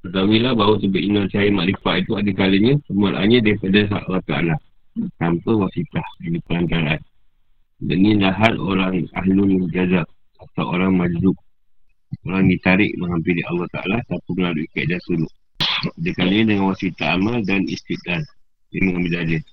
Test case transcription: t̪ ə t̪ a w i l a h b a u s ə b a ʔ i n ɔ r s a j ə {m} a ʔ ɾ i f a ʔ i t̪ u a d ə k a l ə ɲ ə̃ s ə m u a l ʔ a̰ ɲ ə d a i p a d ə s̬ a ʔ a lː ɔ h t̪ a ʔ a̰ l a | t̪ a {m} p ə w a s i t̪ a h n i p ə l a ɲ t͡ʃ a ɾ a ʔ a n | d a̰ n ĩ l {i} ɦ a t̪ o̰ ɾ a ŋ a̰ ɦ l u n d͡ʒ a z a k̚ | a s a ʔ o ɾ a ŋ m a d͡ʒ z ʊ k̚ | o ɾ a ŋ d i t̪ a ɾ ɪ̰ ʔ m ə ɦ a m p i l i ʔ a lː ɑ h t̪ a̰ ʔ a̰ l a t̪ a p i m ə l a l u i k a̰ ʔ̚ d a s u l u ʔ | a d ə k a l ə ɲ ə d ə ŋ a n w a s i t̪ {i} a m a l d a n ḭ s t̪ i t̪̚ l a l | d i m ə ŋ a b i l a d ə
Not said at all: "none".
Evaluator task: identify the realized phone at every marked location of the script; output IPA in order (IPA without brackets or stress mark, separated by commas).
m, m, a, a